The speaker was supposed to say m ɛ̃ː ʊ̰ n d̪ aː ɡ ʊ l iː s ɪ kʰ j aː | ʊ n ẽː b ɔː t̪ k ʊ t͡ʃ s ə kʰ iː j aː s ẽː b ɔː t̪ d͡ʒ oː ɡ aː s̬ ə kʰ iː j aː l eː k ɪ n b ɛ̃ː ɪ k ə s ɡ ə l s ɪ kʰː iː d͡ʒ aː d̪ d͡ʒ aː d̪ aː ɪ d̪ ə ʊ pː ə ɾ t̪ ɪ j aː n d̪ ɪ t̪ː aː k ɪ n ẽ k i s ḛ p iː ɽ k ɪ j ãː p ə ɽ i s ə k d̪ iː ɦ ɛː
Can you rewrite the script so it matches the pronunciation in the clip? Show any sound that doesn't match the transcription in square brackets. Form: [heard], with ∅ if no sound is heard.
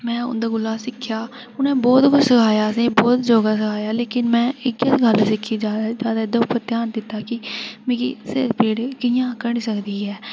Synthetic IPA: m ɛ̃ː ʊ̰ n d̪ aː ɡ ʊ l [aː] s ɪ kʰ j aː | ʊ n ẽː b ɔː t̪ k ʊ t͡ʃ s ə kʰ [aː] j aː s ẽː b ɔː t̪ d͡ʒ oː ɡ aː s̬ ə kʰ [aː] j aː l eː k ɪ n [m] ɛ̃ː ɪ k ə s ɡ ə l s ɪ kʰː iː d͡ʒ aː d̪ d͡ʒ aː d̪ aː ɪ d̪ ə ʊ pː ə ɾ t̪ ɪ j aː n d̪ ɪ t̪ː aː k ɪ [m] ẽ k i s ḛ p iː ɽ k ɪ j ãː [k] ə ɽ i s ə k d̪ iː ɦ ɛː